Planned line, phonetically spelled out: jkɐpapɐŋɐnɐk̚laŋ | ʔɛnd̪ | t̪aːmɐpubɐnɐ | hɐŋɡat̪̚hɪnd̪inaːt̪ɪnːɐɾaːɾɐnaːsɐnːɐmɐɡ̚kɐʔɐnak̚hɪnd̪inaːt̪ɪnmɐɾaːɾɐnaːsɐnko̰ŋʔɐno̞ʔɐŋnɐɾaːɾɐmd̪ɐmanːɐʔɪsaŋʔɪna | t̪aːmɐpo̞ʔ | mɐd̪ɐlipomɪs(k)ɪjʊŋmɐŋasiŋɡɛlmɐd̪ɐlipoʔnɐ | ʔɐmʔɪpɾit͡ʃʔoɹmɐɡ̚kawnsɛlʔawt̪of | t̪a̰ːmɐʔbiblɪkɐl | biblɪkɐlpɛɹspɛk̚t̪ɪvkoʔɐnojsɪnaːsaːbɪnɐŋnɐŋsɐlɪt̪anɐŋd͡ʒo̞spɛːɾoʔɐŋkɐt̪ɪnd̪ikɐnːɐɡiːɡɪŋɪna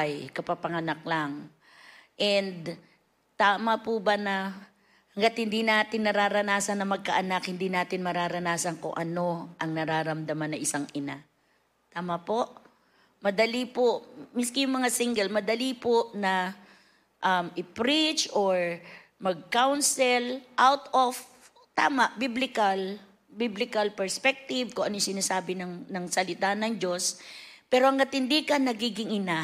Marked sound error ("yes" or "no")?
no